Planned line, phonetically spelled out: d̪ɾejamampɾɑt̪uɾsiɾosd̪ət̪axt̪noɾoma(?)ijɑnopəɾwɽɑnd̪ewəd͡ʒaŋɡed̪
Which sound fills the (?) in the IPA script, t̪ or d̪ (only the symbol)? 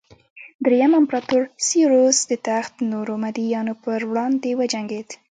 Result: d̪